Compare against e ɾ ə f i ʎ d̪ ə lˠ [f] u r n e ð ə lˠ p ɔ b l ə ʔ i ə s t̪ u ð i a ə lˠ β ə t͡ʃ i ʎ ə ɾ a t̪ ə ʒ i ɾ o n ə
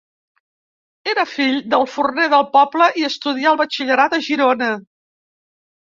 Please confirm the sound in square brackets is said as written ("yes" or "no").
yes